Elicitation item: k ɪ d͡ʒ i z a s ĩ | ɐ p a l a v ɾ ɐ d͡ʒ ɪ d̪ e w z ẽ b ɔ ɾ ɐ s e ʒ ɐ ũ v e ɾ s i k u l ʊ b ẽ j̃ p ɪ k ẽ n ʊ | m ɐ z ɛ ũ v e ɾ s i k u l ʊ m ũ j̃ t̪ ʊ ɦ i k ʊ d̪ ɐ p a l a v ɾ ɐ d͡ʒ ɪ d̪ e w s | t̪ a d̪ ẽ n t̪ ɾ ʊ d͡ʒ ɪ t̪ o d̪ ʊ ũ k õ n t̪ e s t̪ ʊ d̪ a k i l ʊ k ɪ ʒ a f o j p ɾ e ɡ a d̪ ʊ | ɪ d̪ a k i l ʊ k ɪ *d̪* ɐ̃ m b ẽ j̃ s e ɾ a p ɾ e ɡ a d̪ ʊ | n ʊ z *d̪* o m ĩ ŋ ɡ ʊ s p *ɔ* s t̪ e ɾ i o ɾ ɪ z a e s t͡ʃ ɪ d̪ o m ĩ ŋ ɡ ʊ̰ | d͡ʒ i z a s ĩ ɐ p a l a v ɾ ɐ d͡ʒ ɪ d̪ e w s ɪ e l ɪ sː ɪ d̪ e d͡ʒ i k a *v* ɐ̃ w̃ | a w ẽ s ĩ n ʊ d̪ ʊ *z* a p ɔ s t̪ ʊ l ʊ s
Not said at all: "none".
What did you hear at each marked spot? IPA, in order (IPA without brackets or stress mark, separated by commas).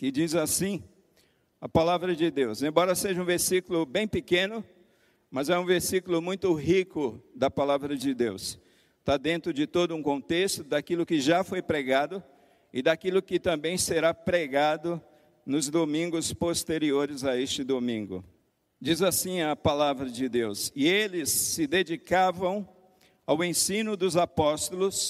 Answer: t̪, d̪, o, v, z